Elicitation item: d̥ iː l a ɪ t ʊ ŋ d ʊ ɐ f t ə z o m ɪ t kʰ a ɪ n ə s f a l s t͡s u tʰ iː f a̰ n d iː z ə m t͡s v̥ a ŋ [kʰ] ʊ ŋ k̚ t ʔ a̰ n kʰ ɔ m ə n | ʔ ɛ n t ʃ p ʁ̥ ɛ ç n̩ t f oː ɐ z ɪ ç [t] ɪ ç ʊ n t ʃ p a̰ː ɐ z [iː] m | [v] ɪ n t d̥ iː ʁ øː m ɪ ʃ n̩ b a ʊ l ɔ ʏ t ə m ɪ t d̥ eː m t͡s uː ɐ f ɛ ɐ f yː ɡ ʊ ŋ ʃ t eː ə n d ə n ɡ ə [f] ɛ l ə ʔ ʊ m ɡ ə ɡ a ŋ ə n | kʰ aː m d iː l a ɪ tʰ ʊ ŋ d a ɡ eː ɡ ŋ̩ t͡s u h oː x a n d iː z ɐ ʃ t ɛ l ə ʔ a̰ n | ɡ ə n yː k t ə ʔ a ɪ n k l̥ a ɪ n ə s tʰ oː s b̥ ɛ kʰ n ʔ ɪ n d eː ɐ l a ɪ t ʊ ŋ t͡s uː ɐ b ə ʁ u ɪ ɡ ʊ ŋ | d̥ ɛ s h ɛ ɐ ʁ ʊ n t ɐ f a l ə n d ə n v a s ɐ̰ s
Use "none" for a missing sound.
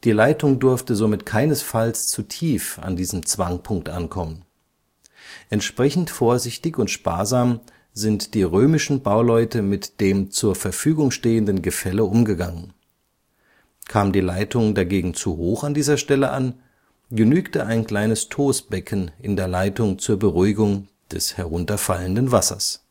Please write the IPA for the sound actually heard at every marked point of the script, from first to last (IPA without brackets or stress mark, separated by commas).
pʰ, t, aː, z, f